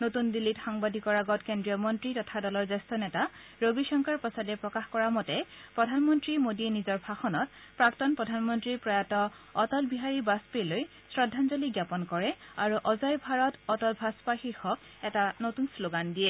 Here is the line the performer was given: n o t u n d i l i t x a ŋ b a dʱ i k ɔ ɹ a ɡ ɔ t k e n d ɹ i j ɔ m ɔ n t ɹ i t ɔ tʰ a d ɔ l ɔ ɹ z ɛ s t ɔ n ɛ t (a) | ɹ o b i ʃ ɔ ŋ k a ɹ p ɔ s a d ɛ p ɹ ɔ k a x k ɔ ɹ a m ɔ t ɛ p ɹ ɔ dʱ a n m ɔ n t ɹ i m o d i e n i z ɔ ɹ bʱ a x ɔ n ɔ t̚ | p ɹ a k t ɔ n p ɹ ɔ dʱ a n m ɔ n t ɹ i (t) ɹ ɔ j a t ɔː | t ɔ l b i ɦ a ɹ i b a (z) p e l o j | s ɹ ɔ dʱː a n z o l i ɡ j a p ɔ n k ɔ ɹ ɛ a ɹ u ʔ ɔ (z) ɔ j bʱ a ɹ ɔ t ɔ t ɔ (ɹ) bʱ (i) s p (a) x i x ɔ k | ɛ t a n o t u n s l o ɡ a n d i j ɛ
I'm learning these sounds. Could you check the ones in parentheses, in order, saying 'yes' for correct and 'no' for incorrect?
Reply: yes, no, no, yes, no, no, yes

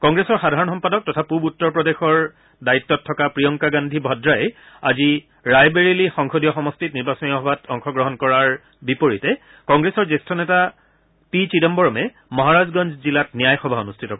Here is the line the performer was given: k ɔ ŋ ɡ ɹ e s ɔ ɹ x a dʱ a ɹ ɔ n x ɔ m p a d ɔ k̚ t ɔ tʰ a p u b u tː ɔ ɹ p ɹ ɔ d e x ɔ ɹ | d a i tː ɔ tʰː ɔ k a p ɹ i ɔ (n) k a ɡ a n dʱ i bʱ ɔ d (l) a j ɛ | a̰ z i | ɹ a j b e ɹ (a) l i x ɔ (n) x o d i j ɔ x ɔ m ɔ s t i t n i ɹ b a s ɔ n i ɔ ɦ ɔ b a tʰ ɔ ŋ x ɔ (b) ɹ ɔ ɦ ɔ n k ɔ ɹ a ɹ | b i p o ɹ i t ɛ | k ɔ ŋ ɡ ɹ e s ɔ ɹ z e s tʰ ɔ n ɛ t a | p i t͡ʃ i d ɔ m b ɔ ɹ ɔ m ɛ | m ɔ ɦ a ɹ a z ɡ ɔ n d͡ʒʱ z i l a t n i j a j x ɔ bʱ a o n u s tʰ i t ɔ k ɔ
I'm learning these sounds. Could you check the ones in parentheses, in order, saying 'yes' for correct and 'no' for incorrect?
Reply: no, no, no, no, no

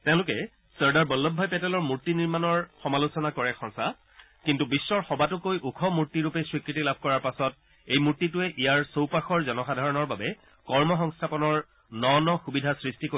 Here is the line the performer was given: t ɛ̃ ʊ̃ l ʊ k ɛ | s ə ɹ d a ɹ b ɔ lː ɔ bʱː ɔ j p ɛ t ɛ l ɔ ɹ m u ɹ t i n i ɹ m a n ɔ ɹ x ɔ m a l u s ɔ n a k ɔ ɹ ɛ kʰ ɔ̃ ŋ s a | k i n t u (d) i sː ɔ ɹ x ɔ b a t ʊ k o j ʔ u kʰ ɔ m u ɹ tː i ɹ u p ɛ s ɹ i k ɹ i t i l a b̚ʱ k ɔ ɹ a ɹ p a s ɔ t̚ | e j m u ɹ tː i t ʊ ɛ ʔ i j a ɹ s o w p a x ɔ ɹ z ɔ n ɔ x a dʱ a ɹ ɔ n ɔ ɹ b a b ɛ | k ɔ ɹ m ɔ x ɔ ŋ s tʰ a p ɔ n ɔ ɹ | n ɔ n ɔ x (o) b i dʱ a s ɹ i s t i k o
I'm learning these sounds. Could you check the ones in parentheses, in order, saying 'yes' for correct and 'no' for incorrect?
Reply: no, no

